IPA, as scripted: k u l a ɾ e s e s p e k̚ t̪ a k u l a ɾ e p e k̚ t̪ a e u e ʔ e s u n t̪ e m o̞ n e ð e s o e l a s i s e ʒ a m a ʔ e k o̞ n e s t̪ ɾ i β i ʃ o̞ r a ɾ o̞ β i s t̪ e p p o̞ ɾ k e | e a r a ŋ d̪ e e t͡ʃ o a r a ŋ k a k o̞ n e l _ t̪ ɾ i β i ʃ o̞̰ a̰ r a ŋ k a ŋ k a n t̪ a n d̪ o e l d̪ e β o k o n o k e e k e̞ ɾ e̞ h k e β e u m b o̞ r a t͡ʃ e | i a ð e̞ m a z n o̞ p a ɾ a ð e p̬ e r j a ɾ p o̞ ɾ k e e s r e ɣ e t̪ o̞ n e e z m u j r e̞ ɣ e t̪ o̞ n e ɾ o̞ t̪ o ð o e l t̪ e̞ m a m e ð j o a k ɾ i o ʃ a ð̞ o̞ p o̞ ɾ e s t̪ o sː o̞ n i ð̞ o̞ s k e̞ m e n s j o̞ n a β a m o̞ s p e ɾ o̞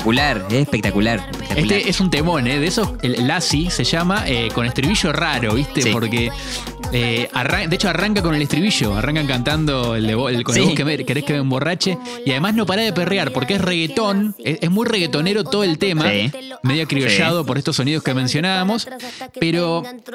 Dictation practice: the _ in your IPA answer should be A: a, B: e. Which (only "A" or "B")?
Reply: B